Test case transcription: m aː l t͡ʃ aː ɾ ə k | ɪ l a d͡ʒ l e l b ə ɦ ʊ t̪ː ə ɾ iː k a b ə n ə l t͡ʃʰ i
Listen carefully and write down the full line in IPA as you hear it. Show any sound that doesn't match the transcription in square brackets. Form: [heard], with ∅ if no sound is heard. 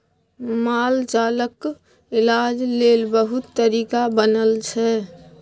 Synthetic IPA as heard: m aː l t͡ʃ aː [l] ə k | ɪ l a d͡ʒ l e l b ə ɦ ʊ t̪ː ə ɾ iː k a b ə n ə l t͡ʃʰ [ɛ]